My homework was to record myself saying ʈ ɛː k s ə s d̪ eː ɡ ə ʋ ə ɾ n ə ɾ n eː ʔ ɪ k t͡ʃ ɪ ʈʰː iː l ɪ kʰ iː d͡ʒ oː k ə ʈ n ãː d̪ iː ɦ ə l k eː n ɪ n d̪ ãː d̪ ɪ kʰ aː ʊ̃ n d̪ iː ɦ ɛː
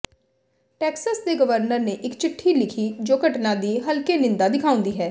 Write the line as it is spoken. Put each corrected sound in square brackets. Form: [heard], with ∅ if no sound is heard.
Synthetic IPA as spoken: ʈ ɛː k s ə s d̪ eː ɡ ə ʋ ə ɾ n ə ɾ n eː ʔ ɪ k t͡ʃ ɪ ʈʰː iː l ɪ kʰ iː d͡ʒ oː k ə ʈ n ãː d̪ iː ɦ ə l k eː n ɪ n d̪ [aː] d̪ ɪ kʰ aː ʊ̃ n d̪ iː ɦ ɛː